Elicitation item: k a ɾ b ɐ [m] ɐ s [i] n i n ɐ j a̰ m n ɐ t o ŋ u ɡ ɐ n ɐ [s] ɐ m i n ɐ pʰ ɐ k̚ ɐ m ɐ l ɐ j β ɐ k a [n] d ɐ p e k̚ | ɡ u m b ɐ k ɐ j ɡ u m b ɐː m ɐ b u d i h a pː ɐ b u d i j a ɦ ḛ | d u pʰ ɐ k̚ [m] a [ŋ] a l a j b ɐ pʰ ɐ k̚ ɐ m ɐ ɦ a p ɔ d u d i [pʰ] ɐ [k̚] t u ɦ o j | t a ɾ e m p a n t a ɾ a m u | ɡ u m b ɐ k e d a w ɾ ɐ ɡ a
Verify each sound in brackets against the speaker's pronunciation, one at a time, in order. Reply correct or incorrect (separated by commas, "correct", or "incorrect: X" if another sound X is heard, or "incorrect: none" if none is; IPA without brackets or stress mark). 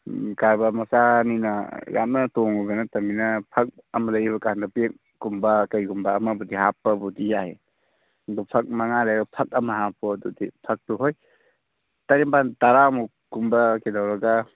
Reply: correct, incorrect: a, incorrect: t, correct, correct, correct, correct, correct